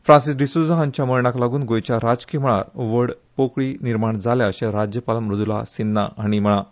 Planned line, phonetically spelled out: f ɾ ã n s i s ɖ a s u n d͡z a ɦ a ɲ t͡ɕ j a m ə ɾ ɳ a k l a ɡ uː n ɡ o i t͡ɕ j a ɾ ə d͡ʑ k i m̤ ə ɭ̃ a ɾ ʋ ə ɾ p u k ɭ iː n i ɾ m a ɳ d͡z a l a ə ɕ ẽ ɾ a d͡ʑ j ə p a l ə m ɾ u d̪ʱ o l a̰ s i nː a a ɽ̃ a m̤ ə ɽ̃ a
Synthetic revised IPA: f ɾ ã n s i s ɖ i s u d͡z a ɦ a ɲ t͡ɕ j a m ə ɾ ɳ a k l a ɡ uː n ɡ o j t͡ɕ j a ɾ a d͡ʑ k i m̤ ə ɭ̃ a ɾ ʋ ə ɽ p o k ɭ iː n i ɾ m a ɳ d͡z a l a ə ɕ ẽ ɾ a d͡ʑ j ə p a l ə m ɾ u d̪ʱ u l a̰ s i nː a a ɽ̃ i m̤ ə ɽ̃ a

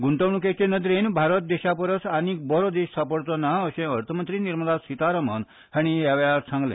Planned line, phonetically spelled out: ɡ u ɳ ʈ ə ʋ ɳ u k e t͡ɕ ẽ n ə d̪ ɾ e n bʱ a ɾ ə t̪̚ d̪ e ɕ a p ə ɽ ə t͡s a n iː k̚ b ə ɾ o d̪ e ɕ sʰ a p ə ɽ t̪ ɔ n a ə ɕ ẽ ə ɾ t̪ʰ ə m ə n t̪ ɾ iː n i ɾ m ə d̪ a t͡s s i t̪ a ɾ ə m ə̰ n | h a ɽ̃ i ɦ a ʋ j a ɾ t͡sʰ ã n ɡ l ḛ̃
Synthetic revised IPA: ɡ u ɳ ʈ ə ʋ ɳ u k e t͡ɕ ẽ n ə d̪ ɾ e n bʱ a ɾ ə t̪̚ d̪ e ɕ a p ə ɾ ə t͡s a n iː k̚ b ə ɾ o d̪ e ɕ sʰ a p ə ɽ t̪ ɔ n a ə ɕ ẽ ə ɾ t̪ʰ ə m ə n t̪ ɾ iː n i ɾ m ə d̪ a s i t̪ a ɾ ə m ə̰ n | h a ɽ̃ i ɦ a ʋ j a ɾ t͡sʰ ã ŋ ɡ l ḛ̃

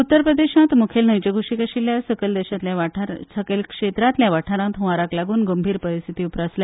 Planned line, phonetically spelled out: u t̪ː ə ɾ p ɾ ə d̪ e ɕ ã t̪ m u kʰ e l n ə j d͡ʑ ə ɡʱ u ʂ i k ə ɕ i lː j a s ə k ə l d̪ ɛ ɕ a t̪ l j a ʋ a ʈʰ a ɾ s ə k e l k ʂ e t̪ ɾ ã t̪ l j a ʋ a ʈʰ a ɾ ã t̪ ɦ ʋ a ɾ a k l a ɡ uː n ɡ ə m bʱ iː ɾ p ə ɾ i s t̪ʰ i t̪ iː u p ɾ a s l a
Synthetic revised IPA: u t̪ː ə ɾ p ɾ ə d̪ e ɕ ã t̪ m u kʰ e l n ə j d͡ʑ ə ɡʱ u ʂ i k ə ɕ i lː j a s ə k ə l d̪ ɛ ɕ a t̪ l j a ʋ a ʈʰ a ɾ s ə k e l k ʂ e t̪ ɾ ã t̪ l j a ʋ a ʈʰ a ɾ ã t̪ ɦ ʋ a ɾ a k l a ɡ uː n ɡ ə m bʱ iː ɾ p ə ɾ i s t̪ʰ i t̪ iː u p ɾ a s l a

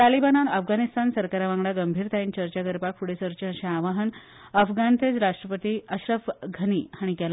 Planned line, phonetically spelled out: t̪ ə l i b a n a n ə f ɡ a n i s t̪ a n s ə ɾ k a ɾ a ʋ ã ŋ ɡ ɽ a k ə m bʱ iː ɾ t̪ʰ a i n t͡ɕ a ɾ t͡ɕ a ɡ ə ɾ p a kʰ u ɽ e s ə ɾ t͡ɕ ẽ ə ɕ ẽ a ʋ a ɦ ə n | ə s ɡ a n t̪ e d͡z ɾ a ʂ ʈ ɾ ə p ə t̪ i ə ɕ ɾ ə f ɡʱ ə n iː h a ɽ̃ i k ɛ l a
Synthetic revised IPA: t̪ a l i b a n a n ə f ɡ a n i s t̪ a n s ə ɾ k a ɾ a ʋ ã ŋ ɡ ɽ a ɡ ə m bʱ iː ɾ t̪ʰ a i n t͡ɕ ə ɾ t͡ɕ a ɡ ə ɾ p a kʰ u ɽ e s ə ɾ t͡ɕ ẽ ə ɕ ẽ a ʋ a ɦ ə n | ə f ɡ a n t̪ e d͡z ɾ a ʂ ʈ ɾ ə p ə t̪ i ə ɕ ɾ ə f ɡʱ ə n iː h a ɽ̃ i k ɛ l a

